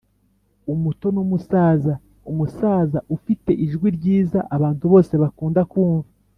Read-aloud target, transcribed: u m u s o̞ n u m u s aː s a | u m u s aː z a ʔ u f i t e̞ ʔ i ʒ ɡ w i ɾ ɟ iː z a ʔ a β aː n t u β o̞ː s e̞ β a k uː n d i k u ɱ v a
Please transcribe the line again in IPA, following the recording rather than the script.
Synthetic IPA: u m u t o̞ n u m u s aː z a | u m u s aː z a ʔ u f i t e̞ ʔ i ʒ ɡ w i ɾ ɟ iː z a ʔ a β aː n t u β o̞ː s e̞ β a k uː n d a k uː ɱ v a